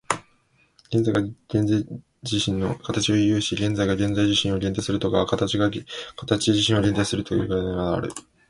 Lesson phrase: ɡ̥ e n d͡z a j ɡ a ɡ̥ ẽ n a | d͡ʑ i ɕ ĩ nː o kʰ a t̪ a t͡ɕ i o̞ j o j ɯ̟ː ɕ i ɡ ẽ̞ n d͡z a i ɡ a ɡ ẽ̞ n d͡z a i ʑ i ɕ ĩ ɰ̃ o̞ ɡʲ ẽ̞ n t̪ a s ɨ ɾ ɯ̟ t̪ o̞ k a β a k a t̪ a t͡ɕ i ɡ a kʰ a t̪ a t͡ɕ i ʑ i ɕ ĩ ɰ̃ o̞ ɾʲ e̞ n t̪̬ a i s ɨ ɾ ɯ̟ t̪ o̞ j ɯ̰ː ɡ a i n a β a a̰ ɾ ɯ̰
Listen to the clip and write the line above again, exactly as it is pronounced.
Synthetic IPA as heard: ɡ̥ e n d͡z a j ɡ a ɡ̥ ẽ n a | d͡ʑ i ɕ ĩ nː o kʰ a t̪ a t͡ɕ i o̞ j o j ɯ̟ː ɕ i ɡ ẽ̞ n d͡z a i ɡ a ɡ ẽ̞ n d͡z a i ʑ i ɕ ĩ ɰ̃ o̞ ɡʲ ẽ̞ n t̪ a s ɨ ɾ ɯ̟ t̪ o̞ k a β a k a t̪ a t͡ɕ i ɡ a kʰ a t̪ a t͡ɕ i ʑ i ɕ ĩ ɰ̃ o̞ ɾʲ e̞ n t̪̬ a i s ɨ ɾ ɯ̟ t̪ o̞ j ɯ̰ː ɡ a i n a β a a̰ ɾ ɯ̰

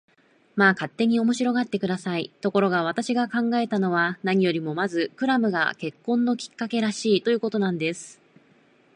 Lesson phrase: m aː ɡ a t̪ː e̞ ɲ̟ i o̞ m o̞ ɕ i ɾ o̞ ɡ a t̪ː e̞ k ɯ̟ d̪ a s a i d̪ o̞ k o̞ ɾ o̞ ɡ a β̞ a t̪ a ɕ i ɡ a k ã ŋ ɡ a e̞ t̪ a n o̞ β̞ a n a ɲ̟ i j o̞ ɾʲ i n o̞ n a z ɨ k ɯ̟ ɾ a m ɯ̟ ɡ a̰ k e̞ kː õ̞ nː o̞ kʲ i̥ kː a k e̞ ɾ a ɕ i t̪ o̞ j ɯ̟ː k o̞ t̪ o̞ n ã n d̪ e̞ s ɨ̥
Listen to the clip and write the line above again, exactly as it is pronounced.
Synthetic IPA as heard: m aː k a t̪ː e̞ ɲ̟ i o̞ m o̞ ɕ i ɾ o̞ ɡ a t̪ː e̞ k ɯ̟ d̪ a s a i t̪ o̞ k o̞ ɾ o̞ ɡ a β̞ a t̪ a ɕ i ɡ a k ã ŋ ɡ a e̞ t̪ a n o̞ β̞ a n a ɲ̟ i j o̞ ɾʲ i m o̞ m a z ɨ k ɯ̟ ɾ a m ɯ̟ ɡ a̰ k e̞ kː õ̞ nː o̞ kʲ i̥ kː a k e̞ ɾ a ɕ iː t̪ o̞ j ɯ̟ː k o̞ t̪ o̞ n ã n d̪ e̞ s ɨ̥

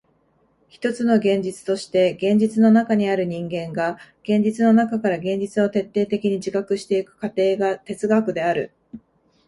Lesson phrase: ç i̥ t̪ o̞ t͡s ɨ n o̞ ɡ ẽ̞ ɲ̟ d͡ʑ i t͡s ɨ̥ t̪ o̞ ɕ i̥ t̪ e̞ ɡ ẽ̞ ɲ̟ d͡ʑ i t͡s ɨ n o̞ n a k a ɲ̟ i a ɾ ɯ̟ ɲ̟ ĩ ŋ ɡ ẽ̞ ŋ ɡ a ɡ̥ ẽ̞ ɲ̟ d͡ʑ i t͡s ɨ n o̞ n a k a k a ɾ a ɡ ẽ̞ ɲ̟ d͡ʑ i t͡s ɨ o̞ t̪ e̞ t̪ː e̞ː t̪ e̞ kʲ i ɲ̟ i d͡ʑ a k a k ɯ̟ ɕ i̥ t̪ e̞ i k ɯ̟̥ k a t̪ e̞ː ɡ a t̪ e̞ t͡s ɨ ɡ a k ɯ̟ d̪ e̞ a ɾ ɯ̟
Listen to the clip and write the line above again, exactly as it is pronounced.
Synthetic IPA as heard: ç i̥ t̪ o̞ t͡s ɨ n o̞ ɡ ẽ̞ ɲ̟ d͡ʑ i t͡s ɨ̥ t̪ o̞ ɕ i̥ t̪ e̞ ɡ ẽ̞ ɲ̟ d͡ʑ i t͡s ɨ n o̞ n a k a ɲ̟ i a ɾ ɯ̟ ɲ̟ ĩ ŋ ɡ ẽ̞ ŋ ɡ a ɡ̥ ẽ̞ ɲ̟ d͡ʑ i t͡s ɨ n o̞ n a k a k a ɾ a ɡ ẽ̞ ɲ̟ d͡ʑ i t͡s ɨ o̞ t̪ e̞ t̪ː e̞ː t̪ e̞ kʲ i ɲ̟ i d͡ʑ i k a k ɯ̟ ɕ i̥ t̪ e̞ i k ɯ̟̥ k a t̪ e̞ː ɡ a t̪ e̞ t͡s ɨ ɡ a k ɯ̟ d̪ e̞ a ɾ ɯ̟

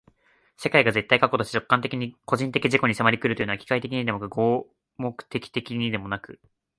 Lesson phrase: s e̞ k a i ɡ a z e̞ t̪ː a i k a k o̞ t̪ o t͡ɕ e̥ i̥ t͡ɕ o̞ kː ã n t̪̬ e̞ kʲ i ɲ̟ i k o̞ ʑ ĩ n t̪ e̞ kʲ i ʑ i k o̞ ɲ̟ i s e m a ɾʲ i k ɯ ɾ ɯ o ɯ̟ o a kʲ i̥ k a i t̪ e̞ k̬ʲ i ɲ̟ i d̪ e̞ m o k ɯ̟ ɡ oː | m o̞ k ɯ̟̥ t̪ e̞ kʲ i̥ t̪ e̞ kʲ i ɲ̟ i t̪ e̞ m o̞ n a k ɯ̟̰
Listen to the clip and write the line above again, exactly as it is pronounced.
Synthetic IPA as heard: s e̞ k a i ɡ a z e̞ t̪ː a i k a k o̞ t̪ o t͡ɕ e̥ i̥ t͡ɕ o̞ kː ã n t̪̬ e̞ kʲ i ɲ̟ i k o̞ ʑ ĩ n t̪ e̞ kʲ i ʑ i k o̞ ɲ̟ i s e m a ɾʲ i k ɯ ɾ ɯ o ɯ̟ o a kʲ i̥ k a i t̪ e̞ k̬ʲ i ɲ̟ i d̪ e̞ m o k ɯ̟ ɡ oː | m o̞ k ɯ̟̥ t̪ e̞ kʲ i̥ t̪ e̞ kʲ i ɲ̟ i d̪ e̞ m o̞ n a k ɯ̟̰

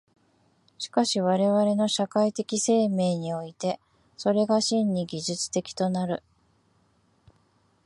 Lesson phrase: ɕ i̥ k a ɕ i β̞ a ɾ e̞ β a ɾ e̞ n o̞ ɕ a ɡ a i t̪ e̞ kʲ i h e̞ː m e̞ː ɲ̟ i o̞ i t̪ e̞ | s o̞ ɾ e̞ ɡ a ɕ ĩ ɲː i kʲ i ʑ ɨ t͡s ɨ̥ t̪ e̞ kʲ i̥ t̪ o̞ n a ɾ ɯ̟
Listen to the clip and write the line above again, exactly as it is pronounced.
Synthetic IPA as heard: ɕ i̥ k a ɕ i β̞ a ɾ e̞ β a ɾ e̞ n o̞ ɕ a k a i t̪ e̞ kʲ i s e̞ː m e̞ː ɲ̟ i o̞ i t̪ e̞ | s o̞ ɾ e̞ ɡ a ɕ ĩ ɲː i ɡʲ i ʑ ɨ t͡s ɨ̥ t̪ e̞ kʲ i̥ t̪ o̞ n a ɾ ɯ̟

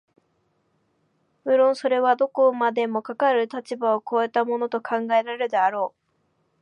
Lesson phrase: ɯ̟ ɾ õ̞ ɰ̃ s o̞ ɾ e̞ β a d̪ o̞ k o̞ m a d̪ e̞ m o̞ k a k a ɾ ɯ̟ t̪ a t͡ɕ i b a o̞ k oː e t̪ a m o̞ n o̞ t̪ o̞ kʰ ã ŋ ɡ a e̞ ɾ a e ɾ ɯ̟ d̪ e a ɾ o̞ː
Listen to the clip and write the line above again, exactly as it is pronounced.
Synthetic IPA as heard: ɯ̟ ɾ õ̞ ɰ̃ s o̞ ɾ e̞ β a d̪ o̞ k o̞ m a d̪ e̞ m o̞ k a k a ɾ ɯ̟ t̪ a t͡ɕ i b a o̞ k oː e t̪ a m o̞ n o̞ t̪ o̞ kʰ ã ŋ ɡ a e̞ ɾ a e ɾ ɯ̟ d̪ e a ɾ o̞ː

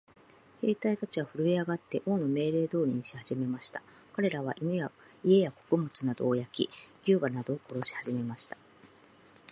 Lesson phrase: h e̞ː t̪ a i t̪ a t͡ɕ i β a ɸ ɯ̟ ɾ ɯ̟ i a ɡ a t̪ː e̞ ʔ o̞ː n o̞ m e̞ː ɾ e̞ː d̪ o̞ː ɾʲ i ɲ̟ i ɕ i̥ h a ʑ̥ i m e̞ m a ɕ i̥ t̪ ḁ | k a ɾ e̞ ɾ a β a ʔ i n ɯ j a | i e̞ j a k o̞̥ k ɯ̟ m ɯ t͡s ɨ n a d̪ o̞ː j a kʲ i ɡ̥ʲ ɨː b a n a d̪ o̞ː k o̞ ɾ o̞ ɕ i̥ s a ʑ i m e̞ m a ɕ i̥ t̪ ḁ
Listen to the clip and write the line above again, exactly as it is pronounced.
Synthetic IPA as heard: h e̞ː t̪ a i t̪ a t͡ɕ i β a ɸ ɯ̟ ɾ ɯ̟ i a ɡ a t̪ː e̞ ʔ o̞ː n o̞ m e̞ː ɾ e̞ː d̪ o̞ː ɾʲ i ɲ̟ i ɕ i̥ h a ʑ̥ i m e̞ m a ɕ i̥ t̪ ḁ | k a ɾ e̞ ɾ a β a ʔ i n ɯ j a | i e̞ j a k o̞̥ k ɯ̟ m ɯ t͡s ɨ n a d̪ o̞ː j a kʲ i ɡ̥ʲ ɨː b a n a d̪ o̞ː k o̞ ɾ o̞ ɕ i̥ h a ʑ i m e̞ m a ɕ i̥ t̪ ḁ

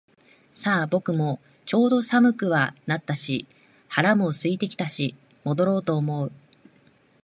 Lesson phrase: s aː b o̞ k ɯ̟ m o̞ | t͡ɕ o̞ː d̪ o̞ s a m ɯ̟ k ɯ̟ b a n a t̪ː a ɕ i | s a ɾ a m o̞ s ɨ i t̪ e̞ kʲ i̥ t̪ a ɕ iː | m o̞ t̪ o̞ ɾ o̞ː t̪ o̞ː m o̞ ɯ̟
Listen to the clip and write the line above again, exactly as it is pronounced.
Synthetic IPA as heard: s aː b o̞ k ɯ̟ m o̞ | t͡ɕ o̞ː d̪ o̞ s a m ɯ̟ k ɯ̟ β a n a t̪ː a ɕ i | h a ɾ a m o̞ s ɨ i t̪ e̞ kʲ i̥ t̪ a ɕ i | m o̞ d̪ o̞ ɾ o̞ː t̪ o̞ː m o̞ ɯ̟

